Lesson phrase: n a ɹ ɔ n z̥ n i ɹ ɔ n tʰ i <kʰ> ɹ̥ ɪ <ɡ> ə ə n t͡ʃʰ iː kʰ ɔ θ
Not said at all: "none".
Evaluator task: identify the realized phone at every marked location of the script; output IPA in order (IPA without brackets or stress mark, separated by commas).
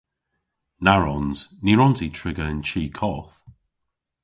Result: tʰ, ɡ